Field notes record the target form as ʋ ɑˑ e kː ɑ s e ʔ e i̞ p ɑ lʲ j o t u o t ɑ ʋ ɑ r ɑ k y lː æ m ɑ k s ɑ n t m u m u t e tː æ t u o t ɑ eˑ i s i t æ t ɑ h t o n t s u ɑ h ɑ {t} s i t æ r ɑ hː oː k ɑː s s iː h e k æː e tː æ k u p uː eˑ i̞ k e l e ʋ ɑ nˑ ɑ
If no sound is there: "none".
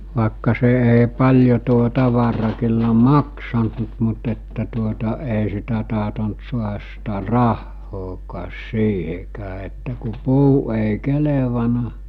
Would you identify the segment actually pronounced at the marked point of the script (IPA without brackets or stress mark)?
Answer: s